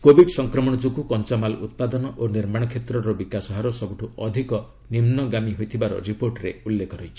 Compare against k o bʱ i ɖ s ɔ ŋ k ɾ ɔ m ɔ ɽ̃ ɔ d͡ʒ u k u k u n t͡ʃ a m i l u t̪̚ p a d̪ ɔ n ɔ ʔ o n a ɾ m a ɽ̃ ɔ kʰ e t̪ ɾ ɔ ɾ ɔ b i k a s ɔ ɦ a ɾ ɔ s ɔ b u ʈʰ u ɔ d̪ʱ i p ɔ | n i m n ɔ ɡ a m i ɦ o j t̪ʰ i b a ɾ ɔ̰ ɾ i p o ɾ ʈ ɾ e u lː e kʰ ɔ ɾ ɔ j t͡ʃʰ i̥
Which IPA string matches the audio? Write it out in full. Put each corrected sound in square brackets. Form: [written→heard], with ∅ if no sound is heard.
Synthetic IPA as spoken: k o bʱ i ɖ s ɔ ŋ k ɾ ɔ m ɔ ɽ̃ ɔ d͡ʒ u k u k [u→ɔ] n t͡ʃ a m [i→a] l u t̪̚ p a d̪ ɔ n ɔ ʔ o n [a→i] ɾ m a ɽ̃ ɔ kʰ e t̪ ɾ ɔ ɾ ɔ b i k a s ɔ ɦ a ɾ ɔ s ɔ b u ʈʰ u ɔ d̪ʱ i [p→k] ɔ | n i m n ɔ ɡ a m i ɦ o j t̪ʰ i b a ɾ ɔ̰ ɾ i p o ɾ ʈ ɾ e u lː e kʰ ɔ ɾ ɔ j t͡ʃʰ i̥